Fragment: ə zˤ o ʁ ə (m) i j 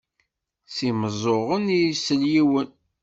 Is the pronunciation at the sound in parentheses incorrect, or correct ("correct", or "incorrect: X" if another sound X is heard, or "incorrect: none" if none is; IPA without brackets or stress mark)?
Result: incorrect: n